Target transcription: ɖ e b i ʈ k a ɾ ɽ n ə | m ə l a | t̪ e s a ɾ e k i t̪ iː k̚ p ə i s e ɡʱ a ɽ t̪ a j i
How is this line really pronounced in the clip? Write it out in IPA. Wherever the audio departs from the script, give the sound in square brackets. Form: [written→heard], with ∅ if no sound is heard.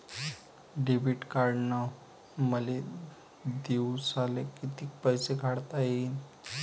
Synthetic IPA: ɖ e b i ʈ k a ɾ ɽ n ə | m ə l [a→e] | [t̪→d̪] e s a [ɾ→l] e k i t̪ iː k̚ p ə [i→j] s e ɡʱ a ɽ t̪ a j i